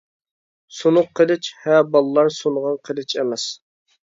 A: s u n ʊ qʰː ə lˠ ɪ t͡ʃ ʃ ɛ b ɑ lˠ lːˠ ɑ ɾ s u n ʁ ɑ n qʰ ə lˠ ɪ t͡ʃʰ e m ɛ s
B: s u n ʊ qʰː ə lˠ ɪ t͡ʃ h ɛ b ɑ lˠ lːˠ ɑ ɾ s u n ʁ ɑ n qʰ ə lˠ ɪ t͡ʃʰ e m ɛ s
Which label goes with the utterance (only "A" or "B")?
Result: B